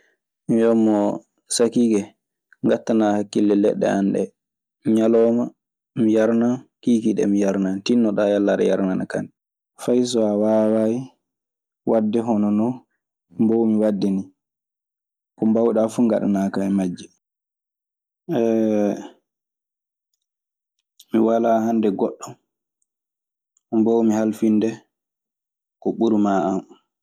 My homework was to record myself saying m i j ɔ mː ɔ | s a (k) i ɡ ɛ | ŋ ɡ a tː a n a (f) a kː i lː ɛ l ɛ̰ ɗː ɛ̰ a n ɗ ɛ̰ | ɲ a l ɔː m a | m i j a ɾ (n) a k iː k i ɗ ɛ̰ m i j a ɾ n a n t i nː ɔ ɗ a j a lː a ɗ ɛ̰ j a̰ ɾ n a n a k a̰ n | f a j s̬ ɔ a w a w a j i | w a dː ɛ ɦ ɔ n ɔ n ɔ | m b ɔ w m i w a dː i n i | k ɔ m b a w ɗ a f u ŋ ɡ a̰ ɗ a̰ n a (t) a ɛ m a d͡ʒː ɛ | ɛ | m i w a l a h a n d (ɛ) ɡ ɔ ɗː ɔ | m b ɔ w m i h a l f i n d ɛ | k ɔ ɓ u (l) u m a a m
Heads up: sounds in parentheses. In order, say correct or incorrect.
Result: correct, incorrect: h, correct, incorrect: k, correct, incorrect: ɾ

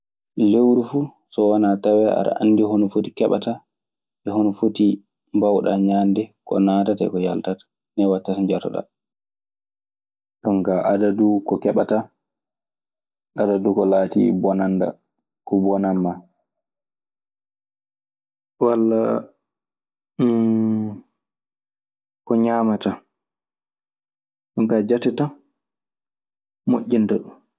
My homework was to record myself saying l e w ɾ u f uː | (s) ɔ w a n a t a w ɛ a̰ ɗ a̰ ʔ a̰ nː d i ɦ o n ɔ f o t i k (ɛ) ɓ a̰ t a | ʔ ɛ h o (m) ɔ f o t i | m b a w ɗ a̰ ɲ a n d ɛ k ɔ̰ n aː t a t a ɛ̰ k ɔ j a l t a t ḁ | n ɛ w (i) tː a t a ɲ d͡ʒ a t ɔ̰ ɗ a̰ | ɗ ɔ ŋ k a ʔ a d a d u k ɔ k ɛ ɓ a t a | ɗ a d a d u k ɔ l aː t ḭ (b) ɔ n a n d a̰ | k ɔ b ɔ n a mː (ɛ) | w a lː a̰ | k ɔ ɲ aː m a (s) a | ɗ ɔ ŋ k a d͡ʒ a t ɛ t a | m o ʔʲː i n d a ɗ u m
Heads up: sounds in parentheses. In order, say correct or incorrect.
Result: correct, correct, incorrect: n, incorrect: a, correct, incorrect: a, incorrect: t

